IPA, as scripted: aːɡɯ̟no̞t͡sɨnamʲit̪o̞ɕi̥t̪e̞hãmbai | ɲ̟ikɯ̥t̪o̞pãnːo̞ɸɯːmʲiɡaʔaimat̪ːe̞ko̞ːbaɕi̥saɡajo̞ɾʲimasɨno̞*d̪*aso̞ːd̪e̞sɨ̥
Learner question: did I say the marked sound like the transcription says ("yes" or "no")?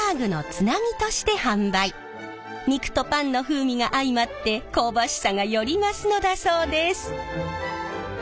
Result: yes